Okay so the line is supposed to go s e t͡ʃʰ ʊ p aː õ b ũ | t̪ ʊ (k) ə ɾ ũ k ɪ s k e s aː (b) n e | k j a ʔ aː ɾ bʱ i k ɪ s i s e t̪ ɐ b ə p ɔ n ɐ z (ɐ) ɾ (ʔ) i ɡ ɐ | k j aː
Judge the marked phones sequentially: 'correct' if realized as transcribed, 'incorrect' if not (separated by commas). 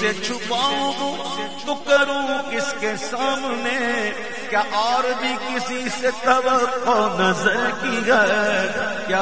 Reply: correct, incorrect, incorrect, incorrect